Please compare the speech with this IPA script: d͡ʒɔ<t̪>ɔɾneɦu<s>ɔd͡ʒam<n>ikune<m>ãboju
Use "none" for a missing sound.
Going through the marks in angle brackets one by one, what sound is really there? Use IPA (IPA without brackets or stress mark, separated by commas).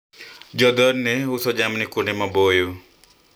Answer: d̪, s, n, m